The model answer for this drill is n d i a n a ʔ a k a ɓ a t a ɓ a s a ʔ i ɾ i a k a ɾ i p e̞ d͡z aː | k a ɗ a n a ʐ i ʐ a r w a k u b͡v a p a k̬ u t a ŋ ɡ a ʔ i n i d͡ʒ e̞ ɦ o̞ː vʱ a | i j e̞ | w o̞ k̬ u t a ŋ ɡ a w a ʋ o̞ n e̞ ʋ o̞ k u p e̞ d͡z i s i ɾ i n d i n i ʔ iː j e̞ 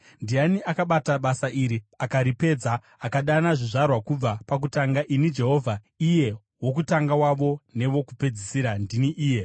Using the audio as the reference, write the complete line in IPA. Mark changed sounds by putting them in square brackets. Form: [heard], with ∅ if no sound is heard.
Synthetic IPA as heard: n d i a n [i] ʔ a k a ɓ a t a ɓ a s a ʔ i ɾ i a k a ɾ i p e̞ d͡z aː | k a ɗ a n a ʐ i ʐ a r w a k u b͡v a p a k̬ u t a ŋ ɡ a ʔ i n i d͡ʒ e̞ ɦ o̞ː vʱ a | i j e̞ | w o̞ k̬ u t a ŋ ɡ a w a ʋ o̞ n e̞ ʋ o̞ k u p e̞ d͡z i s i ɾ [a] n d i n i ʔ iː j e̞